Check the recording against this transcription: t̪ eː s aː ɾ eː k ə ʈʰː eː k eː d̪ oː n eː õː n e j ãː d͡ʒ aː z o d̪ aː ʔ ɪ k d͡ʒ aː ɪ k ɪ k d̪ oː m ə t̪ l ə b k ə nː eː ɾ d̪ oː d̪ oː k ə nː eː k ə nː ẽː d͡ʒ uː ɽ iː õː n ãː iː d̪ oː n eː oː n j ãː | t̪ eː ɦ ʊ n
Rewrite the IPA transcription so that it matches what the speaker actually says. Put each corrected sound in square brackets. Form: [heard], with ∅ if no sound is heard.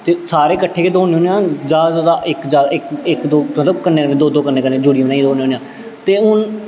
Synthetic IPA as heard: t̪ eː s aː ɾ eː k ə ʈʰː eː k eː d̪ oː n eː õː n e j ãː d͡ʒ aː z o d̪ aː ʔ ɪ k d͡ʒ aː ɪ k ɪ k d̪ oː m ə t̪ l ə b k ə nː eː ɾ d̪ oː d̪ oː k ə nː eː k ə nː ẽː d͡ʒ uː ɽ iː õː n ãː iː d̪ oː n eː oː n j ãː | t̪ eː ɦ ʊ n